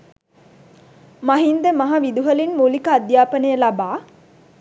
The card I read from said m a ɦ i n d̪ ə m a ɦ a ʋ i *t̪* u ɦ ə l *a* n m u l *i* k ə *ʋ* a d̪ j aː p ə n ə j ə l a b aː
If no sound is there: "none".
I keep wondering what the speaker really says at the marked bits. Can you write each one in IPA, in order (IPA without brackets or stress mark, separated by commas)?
d̪, i, i, none